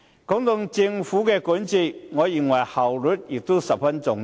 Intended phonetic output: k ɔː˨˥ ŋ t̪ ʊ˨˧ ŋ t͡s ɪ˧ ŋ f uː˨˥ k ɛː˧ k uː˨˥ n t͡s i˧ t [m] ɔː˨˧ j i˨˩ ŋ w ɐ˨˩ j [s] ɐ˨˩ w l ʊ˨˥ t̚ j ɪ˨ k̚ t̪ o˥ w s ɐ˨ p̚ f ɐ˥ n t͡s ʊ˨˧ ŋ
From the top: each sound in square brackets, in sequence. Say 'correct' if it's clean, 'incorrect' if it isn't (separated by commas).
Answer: incorrect, incorrect